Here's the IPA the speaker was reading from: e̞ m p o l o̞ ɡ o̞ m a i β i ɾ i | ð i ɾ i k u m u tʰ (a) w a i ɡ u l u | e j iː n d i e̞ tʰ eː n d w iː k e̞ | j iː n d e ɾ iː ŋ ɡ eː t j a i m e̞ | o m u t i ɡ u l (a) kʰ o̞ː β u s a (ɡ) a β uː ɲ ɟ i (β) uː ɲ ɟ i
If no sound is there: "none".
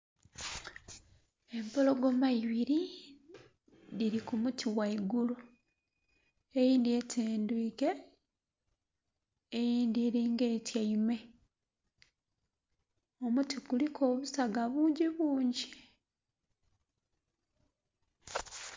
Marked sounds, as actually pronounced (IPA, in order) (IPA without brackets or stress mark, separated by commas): i, i, ɡ, β